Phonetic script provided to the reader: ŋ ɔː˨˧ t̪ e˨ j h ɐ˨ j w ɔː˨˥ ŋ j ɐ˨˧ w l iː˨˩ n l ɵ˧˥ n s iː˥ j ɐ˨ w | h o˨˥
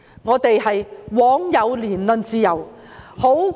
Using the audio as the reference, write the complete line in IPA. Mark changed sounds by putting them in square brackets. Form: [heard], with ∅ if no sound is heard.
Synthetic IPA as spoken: ŋ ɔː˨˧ t̪ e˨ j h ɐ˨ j w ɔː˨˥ ŋ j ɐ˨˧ w l iː˨˩ n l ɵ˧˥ n [t͡s] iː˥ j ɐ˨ w | h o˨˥